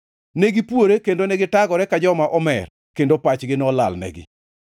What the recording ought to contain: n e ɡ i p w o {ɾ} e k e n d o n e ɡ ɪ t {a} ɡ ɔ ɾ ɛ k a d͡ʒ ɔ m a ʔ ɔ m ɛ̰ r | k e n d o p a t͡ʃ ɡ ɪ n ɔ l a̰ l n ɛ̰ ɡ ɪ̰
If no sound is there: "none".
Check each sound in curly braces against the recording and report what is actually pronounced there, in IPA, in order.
ɾ, a

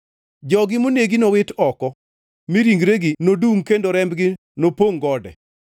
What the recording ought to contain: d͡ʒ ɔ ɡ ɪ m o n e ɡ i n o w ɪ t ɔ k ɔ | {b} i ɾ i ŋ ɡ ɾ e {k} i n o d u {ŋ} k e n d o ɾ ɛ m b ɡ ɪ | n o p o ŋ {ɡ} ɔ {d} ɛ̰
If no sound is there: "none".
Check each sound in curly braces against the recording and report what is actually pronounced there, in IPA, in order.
m, ɡ, ŋ, ɡ, d

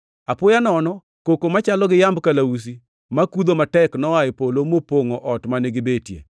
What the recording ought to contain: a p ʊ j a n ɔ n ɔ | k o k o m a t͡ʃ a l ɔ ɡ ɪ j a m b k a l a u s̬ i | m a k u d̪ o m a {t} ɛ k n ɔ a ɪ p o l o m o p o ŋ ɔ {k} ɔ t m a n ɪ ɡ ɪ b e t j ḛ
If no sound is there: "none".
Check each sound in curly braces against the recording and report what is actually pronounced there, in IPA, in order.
t, ʔ

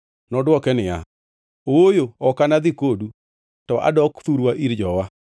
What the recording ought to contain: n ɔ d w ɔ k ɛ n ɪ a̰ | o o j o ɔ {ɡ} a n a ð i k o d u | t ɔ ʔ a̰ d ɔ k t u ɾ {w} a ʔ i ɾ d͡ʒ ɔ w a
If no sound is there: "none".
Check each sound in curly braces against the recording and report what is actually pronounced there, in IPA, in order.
k, w

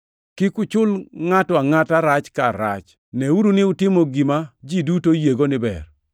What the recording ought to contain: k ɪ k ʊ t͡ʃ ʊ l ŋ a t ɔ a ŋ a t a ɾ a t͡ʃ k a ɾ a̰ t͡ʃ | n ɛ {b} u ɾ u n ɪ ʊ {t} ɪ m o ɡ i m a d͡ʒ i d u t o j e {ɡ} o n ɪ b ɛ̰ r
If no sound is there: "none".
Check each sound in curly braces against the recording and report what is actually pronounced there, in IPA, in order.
none, t, ɡ

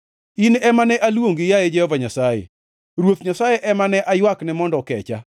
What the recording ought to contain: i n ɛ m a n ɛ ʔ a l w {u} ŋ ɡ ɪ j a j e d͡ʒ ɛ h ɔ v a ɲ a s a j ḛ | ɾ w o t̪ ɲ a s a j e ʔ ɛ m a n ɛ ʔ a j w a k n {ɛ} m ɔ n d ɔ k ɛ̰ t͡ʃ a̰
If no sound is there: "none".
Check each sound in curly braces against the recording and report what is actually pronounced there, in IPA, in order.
o, ɛ

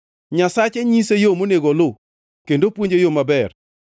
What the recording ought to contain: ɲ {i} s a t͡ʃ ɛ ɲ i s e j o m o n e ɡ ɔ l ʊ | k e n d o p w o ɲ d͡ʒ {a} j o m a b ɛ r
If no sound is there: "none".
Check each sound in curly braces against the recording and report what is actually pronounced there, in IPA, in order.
a, e

